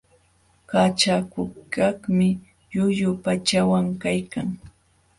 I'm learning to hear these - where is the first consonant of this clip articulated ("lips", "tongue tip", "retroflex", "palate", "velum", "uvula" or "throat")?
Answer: velum